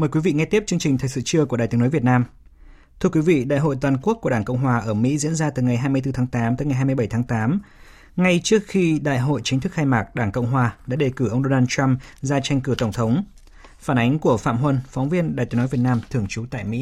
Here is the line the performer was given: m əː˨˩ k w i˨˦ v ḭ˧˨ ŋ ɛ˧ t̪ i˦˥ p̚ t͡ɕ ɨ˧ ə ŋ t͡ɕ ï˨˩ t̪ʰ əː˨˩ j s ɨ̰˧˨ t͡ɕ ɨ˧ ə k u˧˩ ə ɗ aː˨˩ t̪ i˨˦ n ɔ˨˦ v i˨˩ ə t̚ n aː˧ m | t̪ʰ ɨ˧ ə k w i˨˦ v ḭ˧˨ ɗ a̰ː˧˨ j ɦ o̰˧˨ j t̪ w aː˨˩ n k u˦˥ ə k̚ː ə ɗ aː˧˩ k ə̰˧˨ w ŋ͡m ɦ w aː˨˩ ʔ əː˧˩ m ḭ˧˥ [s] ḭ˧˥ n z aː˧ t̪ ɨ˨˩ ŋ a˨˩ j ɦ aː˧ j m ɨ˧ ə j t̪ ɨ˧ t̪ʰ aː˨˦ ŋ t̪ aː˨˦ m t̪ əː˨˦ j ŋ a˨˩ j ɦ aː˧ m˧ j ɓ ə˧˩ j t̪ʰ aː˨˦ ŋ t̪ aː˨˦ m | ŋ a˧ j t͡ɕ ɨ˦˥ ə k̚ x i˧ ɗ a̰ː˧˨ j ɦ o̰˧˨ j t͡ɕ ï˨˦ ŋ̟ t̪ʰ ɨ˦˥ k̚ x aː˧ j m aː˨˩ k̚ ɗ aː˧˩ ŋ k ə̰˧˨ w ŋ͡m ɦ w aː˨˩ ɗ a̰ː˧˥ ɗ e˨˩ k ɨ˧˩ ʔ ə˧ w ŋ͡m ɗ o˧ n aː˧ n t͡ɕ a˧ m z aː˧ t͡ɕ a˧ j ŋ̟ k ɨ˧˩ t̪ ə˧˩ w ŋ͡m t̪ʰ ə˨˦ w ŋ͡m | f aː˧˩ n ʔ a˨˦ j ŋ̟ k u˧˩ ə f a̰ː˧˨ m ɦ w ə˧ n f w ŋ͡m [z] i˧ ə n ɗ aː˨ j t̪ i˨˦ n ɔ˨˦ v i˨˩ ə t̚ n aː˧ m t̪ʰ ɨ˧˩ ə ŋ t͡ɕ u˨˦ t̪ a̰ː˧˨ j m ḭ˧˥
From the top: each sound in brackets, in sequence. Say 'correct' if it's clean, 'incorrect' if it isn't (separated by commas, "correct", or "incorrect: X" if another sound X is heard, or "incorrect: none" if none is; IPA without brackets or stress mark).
incorrect: z, incorrect: v